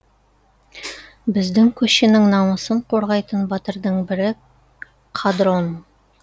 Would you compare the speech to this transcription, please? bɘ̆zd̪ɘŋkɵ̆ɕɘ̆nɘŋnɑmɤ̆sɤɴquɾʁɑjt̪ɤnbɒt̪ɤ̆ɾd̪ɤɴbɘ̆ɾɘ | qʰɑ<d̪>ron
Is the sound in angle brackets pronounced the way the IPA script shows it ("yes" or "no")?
yes